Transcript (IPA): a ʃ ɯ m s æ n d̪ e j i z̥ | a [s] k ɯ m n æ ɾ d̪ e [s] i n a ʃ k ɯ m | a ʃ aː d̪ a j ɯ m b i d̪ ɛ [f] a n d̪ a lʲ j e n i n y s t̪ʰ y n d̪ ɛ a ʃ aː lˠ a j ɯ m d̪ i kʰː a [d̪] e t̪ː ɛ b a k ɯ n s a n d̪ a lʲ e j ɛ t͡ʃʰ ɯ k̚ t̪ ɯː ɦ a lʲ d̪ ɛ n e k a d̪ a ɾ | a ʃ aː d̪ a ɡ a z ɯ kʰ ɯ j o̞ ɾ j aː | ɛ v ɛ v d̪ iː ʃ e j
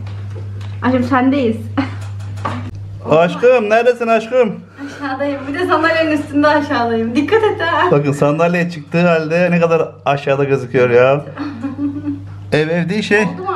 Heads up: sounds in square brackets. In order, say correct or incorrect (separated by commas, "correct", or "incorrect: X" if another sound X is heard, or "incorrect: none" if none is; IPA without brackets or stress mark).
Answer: incorrect: ʃ, correct, incorrect: s, incorrect: t̪